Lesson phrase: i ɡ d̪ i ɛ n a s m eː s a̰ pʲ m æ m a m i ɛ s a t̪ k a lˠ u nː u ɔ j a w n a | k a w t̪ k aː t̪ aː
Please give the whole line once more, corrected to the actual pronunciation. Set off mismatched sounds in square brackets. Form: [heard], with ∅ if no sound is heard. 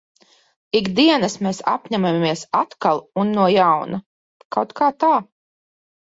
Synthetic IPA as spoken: i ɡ d̪ i ɛ n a s m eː s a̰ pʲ [ɲ] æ m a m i ɛ s a t̪ k a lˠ u nː u ɔ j a w n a | k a w t̪ k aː t̪ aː